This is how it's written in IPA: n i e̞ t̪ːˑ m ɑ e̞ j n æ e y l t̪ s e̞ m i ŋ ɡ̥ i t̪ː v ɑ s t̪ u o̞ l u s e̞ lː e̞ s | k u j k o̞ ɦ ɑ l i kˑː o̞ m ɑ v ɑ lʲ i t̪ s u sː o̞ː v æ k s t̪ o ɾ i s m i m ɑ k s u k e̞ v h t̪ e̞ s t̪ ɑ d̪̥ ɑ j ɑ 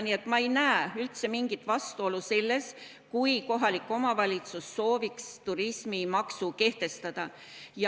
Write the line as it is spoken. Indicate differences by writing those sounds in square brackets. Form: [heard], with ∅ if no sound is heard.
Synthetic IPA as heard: n i e̞ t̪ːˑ m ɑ e̞ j n æ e y l t̪ s e̞ m i ŋ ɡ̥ i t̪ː v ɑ s t̪ u o̞ l u s e̞ lː e̞ s | k u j k o̞ ɦ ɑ l i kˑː o̞ m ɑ v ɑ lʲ i t̪ s u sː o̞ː v [i] k s t̪ [u] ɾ i s m i m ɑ k s u k e̞ [∅] h t̪ e̞ s t̪ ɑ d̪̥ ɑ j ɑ